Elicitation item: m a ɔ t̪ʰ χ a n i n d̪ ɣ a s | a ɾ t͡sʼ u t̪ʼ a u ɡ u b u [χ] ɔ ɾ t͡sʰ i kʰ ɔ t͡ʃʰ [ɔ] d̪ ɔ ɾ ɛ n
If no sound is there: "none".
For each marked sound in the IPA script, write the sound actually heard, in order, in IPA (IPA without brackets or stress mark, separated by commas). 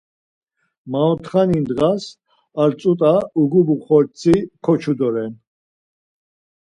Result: χ, u